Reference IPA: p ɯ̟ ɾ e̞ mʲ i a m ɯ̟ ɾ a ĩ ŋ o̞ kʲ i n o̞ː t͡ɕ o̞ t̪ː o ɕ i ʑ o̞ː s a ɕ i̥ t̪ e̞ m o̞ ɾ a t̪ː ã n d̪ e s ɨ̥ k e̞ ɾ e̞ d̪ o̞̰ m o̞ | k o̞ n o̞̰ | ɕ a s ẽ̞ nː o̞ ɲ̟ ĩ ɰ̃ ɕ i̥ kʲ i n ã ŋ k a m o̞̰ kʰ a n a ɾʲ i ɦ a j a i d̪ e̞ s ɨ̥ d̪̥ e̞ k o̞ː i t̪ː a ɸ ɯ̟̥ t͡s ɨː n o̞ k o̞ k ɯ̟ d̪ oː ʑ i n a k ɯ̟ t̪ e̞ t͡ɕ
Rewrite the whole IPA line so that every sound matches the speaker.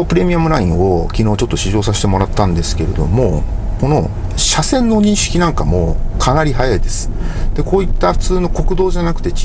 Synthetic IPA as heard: p ɯ̟ ɾ e̞ mʲ i a m ɯ̟ ɾ a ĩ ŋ o̞ kʲ i n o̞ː t͡ɕ o̞ t̪ː o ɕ i ʑ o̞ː s a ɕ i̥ t̪ e̞ m o̞ ɾ a t̪ː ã n d̪ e s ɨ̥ k e̞ ɾ e̞ d̪ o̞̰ m o̞ | k o̞ n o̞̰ | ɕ a s ẽ̞ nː o̞ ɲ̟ ĩ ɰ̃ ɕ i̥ kʲ i n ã ŋ k a m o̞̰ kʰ a n a ɾʲ i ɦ a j a i d̪ e̞ s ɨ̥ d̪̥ e̞ k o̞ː i t̪ː a ɸ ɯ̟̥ t͡s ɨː n o̞ k o̞ k ɯ̟ d̪ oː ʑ a n a k ɯ̟ t̪ e̞ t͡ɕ